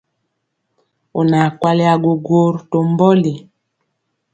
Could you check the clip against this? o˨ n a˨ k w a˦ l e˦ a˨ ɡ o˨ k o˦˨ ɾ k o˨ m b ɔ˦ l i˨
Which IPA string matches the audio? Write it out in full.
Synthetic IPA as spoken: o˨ n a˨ k w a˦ l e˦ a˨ ɡ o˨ ɡ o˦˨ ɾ t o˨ m b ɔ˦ l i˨